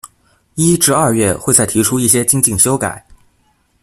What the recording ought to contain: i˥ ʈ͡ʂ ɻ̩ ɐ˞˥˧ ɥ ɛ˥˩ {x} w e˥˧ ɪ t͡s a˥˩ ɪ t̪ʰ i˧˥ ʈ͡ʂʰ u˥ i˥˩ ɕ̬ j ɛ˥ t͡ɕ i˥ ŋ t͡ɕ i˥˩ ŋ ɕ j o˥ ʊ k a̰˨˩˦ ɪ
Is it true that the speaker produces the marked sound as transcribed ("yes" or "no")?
yes